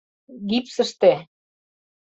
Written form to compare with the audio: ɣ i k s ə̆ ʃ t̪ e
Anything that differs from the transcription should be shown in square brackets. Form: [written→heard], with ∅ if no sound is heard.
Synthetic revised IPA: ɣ i [k→p] s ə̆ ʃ t̪ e